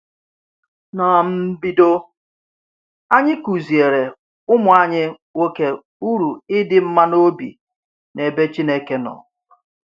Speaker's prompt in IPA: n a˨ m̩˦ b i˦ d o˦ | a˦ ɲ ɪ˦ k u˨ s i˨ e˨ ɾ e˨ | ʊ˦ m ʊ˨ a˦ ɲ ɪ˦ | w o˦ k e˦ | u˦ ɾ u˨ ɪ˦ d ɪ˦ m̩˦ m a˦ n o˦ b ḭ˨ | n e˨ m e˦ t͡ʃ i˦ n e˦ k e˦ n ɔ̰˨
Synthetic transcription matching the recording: n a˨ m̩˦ b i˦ d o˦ | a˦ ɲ ɪ˦ k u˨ z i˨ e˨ ɾ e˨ | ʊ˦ m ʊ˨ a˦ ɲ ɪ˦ | w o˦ k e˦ | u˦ ɾ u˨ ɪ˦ d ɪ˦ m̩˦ m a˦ n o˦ b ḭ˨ | n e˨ b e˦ t͡ʃ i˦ n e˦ k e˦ n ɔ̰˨